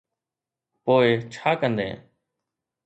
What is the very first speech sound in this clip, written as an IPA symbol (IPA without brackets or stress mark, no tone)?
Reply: p